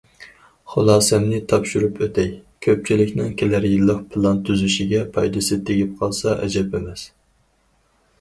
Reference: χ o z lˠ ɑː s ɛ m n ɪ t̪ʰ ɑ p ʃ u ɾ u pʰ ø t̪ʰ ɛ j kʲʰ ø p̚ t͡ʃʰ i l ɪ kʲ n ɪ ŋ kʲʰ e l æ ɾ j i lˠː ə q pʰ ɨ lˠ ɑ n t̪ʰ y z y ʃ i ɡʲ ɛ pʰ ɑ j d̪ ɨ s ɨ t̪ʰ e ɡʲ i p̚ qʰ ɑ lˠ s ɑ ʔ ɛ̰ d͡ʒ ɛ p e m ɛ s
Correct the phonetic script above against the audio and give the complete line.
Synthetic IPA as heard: χ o lˠ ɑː s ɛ m n ɪ t̪ʰ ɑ p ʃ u ɾ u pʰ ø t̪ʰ ɛ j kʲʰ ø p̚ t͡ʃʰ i l ɪ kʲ n ɪ ŋ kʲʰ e l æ ɾ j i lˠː ə q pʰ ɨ lˠ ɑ n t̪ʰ y z y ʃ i ɡʲ ɛ pʰ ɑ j d̪ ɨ s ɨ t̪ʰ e ɡʲ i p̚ qʰ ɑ lˠ s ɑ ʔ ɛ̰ d͡ʒ ɛ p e m ɛ s